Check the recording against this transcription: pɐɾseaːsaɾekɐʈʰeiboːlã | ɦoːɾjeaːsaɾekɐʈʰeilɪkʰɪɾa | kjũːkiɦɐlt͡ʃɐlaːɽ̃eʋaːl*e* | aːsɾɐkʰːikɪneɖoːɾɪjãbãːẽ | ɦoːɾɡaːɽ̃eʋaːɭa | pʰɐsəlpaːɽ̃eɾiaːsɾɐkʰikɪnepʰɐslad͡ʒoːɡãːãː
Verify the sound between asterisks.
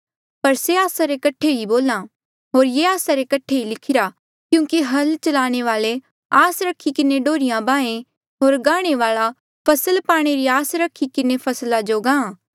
correct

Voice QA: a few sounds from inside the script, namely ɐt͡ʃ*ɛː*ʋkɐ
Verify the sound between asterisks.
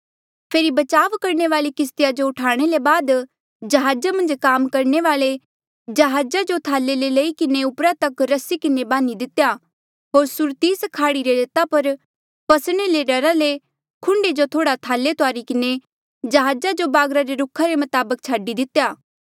incorrect: aː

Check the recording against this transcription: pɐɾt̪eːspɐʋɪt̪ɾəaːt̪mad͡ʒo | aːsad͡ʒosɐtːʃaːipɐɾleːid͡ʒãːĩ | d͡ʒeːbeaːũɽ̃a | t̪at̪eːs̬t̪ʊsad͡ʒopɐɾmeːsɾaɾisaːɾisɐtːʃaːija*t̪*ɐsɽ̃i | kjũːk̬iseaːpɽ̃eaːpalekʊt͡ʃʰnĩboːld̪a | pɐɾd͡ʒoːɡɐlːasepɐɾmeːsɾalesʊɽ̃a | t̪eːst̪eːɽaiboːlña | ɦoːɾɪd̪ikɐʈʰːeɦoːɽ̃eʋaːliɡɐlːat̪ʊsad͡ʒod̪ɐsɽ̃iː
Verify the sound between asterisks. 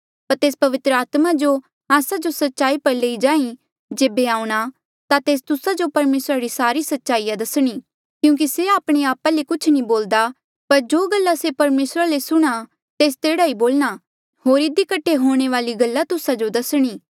incorrect: d̪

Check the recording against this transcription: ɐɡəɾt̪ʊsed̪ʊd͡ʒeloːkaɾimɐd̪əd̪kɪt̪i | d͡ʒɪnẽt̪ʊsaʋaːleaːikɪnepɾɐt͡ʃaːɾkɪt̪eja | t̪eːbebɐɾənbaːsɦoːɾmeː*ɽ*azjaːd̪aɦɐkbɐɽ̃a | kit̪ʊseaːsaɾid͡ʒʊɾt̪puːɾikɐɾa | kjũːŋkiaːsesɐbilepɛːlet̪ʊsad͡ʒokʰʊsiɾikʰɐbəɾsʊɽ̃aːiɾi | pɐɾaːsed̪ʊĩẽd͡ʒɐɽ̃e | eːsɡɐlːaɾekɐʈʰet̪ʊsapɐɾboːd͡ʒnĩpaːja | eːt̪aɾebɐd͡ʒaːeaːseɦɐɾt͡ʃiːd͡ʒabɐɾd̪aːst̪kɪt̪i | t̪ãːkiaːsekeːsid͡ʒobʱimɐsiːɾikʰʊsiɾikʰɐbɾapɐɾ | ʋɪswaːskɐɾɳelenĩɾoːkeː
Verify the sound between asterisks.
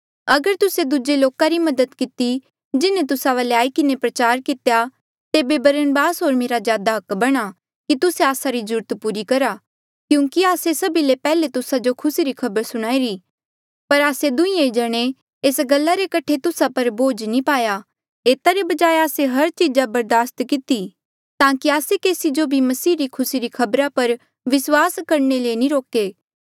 incorrect: ɾ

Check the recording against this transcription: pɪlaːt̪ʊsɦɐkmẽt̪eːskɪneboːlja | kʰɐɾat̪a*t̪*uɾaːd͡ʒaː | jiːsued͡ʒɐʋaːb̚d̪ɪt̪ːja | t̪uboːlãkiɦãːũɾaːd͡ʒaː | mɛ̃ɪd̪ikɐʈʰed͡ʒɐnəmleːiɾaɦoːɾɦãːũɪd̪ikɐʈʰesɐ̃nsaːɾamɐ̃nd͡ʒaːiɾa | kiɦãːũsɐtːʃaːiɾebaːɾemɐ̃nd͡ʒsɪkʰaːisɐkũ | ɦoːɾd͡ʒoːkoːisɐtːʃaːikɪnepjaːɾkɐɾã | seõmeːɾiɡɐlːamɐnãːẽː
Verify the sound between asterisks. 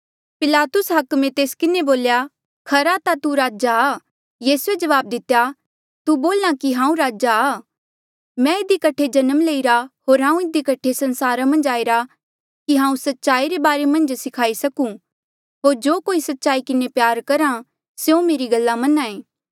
correct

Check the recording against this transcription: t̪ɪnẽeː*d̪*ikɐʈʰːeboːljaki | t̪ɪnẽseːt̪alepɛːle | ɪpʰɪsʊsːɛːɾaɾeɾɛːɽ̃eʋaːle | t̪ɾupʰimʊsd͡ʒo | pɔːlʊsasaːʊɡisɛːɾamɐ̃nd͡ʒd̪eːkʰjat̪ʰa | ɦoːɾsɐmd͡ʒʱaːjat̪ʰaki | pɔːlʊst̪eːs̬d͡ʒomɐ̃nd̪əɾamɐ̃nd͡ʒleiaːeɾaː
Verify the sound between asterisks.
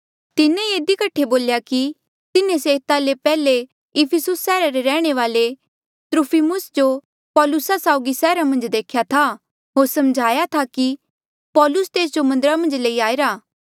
correct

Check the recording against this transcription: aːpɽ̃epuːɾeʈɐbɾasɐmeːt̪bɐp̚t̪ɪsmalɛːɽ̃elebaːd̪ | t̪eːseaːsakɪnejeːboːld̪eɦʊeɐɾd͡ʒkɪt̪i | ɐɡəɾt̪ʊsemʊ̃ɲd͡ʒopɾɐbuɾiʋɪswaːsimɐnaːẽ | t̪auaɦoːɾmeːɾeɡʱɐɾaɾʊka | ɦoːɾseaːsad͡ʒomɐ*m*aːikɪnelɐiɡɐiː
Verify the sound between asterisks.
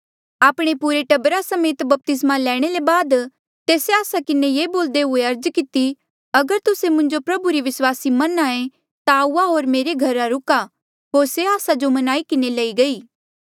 incorrect: n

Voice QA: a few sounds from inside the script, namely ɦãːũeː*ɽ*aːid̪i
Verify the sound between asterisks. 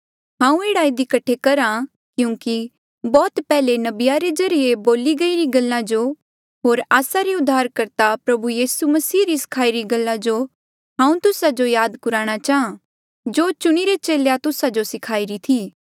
correct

